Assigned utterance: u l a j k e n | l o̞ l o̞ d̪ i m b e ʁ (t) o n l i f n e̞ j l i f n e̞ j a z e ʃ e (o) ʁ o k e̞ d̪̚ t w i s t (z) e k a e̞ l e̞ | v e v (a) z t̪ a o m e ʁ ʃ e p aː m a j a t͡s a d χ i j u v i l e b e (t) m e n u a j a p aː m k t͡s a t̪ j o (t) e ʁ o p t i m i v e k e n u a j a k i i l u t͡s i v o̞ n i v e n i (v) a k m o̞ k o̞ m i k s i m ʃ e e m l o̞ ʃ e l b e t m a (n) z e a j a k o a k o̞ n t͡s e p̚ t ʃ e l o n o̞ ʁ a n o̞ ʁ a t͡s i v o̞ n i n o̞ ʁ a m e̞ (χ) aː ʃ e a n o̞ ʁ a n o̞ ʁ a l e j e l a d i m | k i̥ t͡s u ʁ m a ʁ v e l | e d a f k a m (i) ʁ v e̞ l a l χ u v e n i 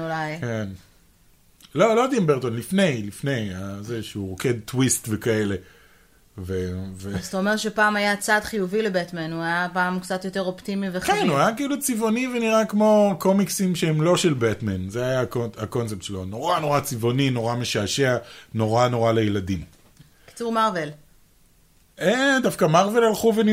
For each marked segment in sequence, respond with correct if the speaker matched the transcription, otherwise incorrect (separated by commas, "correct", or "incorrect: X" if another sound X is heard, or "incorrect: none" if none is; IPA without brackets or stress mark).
correct, incorrect: u, incorrect: v, incorrect: e, correct, correct, incorrect: ʁ, correct, incorrect: ʃ, incorrect: a